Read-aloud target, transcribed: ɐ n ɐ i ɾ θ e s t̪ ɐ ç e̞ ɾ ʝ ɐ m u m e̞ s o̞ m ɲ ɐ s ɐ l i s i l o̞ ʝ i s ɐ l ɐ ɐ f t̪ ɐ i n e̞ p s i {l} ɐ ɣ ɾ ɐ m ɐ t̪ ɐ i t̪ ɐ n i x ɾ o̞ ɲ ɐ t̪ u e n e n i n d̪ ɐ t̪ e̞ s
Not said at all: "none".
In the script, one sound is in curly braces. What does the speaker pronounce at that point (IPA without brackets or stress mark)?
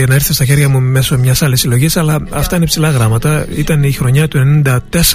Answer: l